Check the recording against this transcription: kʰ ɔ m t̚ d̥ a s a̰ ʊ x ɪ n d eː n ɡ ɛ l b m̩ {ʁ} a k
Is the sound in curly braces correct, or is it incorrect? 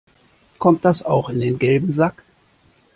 incorrect